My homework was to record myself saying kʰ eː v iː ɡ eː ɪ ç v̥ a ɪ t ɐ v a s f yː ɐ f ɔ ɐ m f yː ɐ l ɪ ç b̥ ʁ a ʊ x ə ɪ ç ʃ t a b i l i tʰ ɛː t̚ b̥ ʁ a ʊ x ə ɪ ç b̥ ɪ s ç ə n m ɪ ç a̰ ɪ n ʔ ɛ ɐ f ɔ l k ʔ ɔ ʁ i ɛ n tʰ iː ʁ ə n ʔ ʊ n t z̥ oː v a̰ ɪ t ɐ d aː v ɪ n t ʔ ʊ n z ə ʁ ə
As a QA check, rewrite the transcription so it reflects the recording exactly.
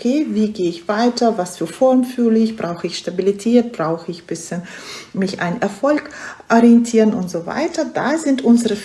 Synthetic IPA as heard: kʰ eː v iː ɡ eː ɪ ç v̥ a ɪ t ɐ v a s f yː ɐ f ɔ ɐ m f yː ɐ l ɪ ç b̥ ʁ a ʊ x ə ɪ ç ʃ t a b i l i tʰ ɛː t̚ b̥ ʁ a ʊ x ə ɪ ç b̥ ɪ s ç ə n m ɪ ç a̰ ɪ n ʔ ɛ ɐ f ɔ l k ʔ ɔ ʁ i ɛ n tʰ iː ʁ ə n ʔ ʊ n t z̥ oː v a̰ ɪ t ɐ d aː z ɪ n t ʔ ʊ n z ə ʁ ə